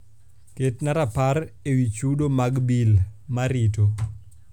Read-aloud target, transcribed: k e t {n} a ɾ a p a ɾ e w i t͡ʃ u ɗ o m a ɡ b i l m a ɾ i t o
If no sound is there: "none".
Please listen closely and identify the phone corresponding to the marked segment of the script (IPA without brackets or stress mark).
n